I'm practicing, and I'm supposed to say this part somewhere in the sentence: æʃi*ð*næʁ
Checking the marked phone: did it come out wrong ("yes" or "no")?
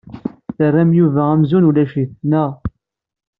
yes